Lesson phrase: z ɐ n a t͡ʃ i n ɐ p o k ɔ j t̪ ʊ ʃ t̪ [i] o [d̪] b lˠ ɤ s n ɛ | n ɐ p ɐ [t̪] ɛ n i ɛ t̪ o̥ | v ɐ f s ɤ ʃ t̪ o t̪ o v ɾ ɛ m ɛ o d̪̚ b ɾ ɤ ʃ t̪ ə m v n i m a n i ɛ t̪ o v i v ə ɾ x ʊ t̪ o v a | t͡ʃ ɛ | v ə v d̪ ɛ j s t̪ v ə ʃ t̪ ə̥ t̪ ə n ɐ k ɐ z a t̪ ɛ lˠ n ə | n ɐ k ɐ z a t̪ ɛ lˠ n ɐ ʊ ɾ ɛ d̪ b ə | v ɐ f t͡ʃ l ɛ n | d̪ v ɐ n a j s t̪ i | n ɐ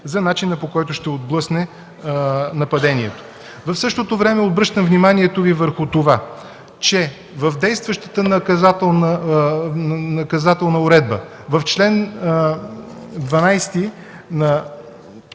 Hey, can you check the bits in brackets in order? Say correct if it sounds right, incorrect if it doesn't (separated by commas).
incorrect, correct, incorrect